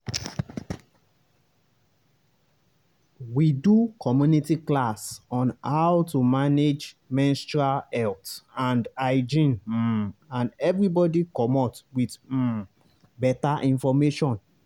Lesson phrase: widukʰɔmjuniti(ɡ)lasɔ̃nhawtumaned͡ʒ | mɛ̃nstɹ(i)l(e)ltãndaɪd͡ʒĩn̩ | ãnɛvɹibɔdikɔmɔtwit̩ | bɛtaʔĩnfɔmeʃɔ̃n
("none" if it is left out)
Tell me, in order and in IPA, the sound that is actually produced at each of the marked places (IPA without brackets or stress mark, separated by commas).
k, a, ɛ